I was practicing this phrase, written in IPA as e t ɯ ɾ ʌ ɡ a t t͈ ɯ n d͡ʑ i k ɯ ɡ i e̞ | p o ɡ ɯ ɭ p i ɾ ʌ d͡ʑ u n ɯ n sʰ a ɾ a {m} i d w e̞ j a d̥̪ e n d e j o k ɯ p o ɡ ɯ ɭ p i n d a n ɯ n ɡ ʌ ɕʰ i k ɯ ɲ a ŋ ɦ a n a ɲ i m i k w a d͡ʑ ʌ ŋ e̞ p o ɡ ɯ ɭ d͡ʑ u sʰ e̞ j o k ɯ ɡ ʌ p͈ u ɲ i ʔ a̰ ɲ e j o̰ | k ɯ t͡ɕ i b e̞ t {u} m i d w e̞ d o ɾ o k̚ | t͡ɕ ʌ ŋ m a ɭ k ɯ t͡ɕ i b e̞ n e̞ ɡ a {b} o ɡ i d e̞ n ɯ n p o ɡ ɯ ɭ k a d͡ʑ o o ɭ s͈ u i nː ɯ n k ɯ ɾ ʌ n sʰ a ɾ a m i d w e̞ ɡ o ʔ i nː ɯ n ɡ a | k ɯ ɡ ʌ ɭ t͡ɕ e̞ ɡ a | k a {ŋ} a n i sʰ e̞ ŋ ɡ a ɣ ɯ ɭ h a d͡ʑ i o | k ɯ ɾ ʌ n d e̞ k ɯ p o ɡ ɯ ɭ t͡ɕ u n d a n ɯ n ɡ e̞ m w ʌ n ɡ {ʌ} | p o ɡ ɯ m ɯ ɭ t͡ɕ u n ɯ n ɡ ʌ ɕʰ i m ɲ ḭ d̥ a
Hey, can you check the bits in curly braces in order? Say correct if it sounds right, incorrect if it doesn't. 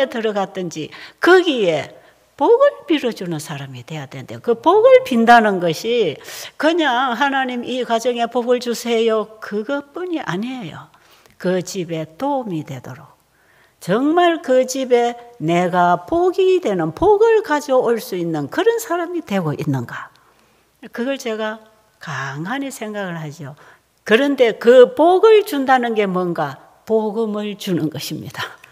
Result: correct, incorrect: o, incorrect: p, correct, incorrect: a

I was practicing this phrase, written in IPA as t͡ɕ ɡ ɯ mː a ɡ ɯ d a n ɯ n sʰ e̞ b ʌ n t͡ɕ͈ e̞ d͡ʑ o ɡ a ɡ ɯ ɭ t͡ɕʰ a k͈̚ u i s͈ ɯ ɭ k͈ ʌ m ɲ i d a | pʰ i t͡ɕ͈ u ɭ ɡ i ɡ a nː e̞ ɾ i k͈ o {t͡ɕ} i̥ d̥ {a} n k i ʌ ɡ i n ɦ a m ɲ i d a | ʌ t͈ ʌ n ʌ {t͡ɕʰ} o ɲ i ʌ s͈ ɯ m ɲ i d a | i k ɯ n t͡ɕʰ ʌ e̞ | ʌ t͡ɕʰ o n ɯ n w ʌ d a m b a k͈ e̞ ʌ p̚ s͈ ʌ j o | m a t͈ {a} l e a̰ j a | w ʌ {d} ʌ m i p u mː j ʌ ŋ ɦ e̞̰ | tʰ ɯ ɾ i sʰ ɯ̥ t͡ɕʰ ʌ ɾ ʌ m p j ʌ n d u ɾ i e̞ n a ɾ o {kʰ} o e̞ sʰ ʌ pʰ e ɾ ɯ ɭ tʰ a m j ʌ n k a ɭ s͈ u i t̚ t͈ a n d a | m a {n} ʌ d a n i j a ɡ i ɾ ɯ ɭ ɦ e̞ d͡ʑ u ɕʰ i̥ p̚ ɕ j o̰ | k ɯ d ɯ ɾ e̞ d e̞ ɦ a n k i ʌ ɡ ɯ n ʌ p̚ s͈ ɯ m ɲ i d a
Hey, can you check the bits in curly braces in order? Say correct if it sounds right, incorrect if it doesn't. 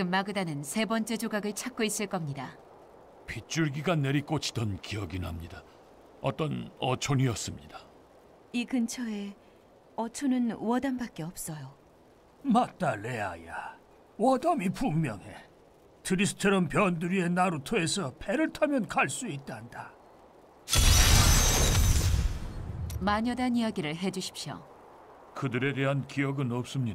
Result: incorrect: t͡ɕʰ, incorrect: ʌ, correct, correct, correct, incorrect: tʰ, incorrect: ɲ

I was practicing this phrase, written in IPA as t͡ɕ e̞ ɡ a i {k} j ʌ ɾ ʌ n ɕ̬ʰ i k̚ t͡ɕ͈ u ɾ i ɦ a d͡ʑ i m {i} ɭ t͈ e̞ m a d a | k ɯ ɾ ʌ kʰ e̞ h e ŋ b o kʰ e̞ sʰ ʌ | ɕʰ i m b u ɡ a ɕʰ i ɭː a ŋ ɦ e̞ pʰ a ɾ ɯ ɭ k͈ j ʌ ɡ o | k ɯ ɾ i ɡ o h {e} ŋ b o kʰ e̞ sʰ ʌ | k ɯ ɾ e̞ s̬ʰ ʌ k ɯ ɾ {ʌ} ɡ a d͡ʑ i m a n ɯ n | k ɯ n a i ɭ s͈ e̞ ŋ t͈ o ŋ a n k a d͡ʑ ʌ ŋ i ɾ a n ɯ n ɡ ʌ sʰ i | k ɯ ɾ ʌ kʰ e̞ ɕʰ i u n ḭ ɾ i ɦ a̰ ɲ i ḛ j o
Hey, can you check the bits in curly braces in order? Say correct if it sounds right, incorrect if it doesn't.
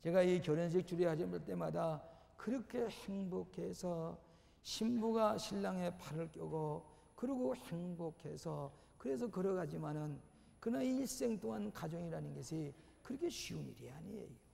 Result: correct, incorrect: a, correct, correct

